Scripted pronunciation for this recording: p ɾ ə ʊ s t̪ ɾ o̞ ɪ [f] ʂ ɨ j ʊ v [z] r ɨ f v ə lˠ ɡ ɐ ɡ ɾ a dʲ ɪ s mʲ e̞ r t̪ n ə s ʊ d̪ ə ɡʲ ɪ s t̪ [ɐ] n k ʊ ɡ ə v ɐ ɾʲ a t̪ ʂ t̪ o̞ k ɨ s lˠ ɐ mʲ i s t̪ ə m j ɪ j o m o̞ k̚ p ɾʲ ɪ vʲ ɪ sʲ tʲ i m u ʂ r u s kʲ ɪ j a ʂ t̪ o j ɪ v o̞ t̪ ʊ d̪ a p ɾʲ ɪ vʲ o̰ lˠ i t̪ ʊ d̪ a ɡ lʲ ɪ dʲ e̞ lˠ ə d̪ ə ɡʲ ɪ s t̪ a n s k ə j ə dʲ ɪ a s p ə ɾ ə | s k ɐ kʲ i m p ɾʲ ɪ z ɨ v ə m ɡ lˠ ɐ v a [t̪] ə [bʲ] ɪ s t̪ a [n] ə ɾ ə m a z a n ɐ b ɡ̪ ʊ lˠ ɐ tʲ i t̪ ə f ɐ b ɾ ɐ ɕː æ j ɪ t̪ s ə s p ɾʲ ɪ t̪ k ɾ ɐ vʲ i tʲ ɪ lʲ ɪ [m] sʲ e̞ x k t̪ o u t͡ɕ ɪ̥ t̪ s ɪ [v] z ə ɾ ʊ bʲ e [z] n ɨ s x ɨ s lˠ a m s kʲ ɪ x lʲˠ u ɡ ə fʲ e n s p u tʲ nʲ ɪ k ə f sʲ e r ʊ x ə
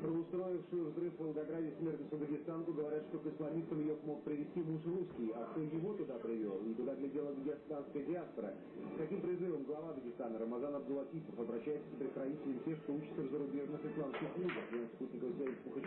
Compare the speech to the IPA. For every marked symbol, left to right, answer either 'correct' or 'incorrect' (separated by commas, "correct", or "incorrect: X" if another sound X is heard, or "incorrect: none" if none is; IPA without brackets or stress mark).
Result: correct, correct, incorrect: a, incorrect: d̪, incorrect: ɡʲ, correct, correct, correct, incorrect: ʐ